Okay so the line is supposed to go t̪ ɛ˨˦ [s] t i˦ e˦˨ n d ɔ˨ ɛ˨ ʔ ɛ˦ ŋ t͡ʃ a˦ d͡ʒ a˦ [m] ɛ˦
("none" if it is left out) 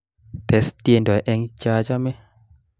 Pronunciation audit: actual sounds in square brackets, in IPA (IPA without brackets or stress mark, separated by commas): s, m